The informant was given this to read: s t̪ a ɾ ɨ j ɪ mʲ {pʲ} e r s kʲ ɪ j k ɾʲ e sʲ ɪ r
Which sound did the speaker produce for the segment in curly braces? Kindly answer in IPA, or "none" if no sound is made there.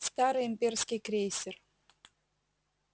pʲ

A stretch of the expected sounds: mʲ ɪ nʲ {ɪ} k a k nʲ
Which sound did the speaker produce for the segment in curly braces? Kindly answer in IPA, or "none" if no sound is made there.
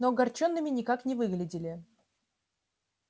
ɪ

